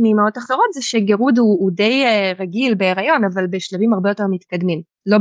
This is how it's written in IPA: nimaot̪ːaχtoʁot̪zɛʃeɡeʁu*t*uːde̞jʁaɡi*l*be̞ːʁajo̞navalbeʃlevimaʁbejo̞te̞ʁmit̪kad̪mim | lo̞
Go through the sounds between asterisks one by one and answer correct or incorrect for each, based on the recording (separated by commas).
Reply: incorrect, correct